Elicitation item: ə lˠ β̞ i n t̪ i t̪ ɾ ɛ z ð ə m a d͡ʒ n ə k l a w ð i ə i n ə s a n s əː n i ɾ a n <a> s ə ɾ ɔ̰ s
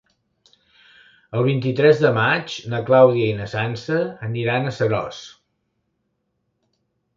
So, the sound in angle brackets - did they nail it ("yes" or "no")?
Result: no